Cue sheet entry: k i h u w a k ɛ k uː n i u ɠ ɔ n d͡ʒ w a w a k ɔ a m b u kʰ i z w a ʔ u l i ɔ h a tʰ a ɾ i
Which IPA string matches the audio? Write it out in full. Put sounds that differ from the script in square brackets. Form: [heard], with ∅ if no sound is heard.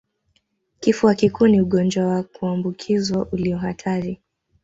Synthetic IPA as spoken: k i [f] u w a k [i] k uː n i u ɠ ɔ n d͡ʒ w a w a k [u] a m b u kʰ i z w a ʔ u l i ɔ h a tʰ a ɾ i